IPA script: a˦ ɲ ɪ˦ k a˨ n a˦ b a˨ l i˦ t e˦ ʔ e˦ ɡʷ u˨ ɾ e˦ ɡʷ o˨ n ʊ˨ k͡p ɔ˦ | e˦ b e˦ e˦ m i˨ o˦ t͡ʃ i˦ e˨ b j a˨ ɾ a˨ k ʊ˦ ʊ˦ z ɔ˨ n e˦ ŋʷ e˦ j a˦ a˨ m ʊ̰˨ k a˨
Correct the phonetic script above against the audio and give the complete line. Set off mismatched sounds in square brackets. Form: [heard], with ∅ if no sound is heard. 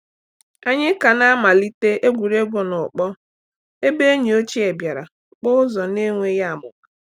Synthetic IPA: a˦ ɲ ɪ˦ k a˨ n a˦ [m] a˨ l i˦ t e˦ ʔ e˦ ɡʷ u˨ ɾ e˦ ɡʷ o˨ n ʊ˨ k͡p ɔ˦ | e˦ b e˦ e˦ [ɲ] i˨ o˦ t͡ʃ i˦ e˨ b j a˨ ɾ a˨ [k͡p] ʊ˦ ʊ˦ z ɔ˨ n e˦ ŋʷ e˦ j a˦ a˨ m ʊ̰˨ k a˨